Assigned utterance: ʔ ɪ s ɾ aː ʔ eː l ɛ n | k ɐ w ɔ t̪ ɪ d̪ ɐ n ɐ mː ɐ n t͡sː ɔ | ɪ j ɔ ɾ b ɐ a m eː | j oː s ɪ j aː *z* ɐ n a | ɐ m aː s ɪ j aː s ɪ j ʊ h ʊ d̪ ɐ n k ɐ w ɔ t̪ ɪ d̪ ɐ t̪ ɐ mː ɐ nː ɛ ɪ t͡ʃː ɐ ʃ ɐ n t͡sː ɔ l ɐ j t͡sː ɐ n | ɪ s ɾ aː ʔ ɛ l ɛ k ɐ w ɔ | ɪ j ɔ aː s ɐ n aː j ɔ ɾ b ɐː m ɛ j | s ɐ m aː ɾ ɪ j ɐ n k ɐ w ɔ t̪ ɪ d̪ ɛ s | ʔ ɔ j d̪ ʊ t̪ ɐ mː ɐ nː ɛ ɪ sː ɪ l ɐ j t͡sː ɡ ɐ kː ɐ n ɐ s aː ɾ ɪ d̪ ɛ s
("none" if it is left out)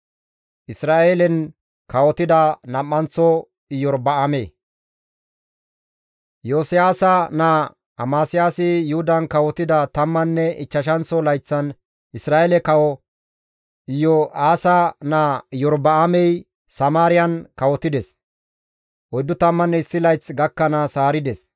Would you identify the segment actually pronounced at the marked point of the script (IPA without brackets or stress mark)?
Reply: s